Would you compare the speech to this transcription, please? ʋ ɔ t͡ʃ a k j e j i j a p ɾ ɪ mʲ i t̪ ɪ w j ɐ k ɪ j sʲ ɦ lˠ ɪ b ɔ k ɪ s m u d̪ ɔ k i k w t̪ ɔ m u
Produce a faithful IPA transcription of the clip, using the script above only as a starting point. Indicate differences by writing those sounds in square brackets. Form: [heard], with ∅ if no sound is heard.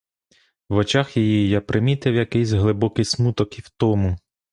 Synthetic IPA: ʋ ɔ t͡ʃ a [x] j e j i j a p ɾ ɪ mʲ i t̪ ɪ w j ɐ k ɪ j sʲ ɦ lˠ ɪ b ɔ k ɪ s m u [t̪] ɔ k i [∅] w t̪ ɔ m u